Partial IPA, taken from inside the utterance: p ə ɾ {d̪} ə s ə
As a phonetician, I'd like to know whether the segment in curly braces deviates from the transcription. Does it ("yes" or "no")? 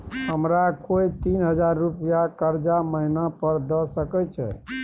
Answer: no